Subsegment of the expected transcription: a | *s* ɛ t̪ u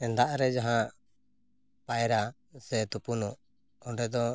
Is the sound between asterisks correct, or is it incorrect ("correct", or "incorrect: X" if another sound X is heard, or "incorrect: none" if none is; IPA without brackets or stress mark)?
correct